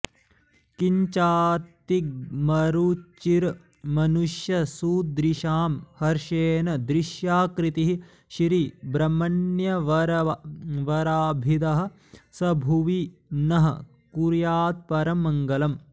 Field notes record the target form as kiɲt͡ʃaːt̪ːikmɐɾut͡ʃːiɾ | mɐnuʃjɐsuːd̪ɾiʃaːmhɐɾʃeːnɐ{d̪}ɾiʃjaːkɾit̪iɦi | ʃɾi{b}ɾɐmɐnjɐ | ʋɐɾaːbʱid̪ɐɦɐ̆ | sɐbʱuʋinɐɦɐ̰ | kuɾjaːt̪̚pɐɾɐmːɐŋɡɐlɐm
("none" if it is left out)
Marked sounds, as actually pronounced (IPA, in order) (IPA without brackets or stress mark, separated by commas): d̪, b